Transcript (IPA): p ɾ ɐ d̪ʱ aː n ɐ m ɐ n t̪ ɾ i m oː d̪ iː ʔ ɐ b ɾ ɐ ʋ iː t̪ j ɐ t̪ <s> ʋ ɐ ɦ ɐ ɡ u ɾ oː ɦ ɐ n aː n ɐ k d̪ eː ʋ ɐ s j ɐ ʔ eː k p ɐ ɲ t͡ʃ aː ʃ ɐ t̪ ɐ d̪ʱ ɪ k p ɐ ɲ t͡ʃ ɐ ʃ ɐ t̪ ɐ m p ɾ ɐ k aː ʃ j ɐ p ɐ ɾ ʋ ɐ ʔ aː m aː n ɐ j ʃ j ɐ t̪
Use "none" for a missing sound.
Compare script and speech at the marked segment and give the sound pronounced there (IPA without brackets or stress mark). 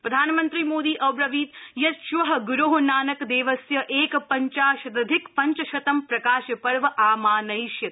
ʃ